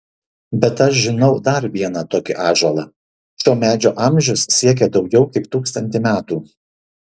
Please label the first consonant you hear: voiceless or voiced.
voiced